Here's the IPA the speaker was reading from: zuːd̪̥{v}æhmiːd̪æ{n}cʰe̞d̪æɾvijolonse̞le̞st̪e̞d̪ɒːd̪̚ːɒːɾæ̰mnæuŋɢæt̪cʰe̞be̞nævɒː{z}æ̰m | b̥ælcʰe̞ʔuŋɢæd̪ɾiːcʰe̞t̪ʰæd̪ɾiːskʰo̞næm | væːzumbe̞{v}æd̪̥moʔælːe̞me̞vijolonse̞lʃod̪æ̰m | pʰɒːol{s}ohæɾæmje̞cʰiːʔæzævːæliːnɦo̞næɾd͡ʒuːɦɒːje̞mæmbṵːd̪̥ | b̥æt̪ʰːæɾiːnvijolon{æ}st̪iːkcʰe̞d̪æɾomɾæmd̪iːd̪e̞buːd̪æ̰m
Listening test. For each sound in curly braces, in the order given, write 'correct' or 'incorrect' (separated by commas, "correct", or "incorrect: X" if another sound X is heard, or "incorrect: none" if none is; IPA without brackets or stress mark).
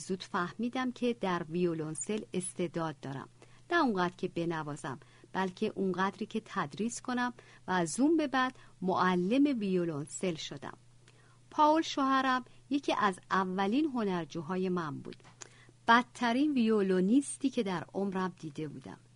incorrect: f, incorrect: m, correct, incorrect: b, incorrect: ʃ, incorrect: i